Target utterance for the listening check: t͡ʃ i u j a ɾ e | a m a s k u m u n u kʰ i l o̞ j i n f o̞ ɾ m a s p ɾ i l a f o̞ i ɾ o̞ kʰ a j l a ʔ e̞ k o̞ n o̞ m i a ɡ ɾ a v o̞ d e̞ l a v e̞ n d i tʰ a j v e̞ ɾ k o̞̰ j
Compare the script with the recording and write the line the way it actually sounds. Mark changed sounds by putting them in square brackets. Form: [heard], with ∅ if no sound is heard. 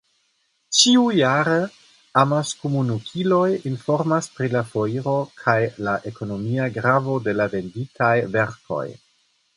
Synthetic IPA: t͡ʃ i u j a ɾ e | a m a s k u m u n u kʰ i l o̞ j i n f o̞ ɾ m a s p ɾ i l a f o̞ i ɾ o̞ kʰ a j l a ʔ e̞ k o̞ n o̞ m i a ɡ ɾ a v o̞ d e̞ l a v e̞ n d i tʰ a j v e̞ ɾ k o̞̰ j